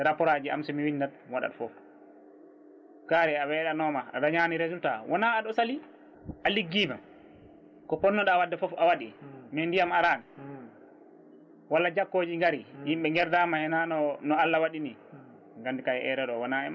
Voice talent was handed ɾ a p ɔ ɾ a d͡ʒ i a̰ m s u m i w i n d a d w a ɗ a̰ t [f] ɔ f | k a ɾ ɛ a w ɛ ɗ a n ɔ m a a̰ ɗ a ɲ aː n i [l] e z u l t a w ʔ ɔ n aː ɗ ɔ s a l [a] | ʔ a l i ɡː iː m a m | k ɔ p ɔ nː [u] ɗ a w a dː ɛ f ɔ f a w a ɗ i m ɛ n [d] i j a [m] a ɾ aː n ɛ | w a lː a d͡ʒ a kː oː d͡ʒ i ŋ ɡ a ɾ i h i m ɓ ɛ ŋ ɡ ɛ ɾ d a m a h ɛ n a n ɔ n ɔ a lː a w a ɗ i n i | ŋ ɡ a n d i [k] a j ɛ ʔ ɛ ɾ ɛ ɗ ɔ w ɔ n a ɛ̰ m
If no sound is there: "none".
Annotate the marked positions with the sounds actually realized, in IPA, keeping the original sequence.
f, ɾ, i, ɔ, d, m, k

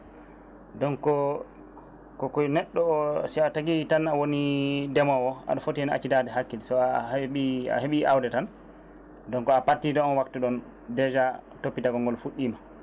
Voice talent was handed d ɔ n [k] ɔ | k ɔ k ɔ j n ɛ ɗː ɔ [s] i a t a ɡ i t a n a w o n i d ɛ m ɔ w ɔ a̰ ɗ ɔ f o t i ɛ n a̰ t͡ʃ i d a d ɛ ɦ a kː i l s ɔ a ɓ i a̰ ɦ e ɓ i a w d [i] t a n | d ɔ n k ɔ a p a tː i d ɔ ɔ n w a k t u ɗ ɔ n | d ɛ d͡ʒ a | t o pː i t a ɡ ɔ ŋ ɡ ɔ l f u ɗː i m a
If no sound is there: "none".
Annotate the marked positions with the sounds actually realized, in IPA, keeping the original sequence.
k, s, ɛ

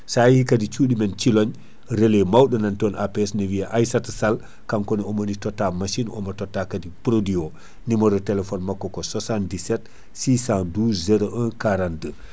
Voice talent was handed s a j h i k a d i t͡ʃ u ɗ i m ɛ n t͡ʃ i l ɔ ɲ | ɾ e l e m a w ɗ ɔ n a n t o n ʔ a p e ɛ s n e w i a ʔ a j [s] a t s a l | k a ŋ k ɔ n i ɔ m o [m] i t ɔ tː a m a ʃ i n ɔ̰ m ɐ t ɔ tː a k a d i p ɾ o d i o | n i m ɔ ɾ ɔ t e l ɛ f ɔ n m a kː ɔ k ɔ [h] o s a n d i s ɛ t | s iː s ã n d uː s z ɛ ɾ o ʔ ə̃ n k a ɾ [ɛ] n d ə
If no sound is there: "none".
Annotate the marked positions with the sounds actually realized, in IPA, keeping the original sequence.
s, n, s, a

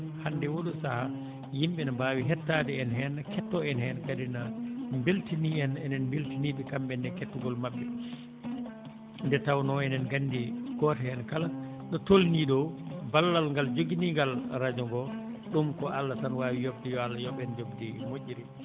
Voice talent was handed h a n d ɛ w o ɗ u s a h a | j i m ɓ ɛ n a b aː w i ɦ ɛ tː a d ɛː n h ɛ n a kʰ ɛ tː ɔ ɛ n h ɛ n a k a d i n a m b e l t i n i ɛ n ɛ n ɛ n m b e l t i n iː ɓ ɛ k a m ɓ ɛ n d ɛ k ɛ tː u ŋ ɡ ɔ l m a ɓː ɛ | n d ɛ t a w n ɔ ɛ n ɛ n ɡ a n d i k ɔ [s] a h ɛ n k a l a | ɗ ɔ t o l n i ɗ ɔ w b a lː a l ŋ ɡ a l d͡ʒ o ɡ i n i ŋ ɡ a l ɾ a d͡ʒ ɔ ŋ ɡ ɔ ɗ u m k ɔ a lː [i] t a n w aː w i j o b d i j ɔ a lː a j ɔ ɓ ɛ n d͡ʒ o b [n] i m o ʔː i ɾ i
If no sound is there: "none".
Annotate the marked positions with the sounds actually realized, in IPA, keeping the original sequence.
t, a, d

